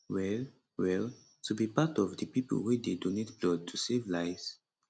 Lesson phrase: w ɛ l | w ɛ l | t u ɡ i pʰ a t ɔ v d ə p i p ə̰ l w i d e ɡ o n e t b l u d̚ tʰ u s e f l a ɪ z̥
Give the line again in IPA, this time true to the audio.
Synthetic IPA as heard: w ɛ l | w ɛ l | t u b i p a t ɔ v d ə p i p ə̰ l w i d e d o n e t b l ɔ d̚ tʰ u s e v l a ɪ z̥